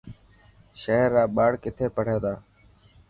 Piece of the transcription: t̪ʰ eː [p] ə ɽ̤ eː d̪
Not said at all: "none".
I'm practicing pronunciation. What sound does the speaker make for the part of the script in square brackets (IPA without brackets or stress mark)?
p